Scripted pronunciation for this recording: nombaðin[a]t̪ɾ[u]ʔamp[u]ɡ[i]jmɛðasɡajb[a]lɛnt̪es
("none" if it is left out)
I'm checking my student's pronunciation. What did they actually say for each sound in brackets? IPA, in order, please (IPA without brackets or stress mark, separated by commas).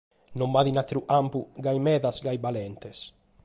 a, u, u, a, a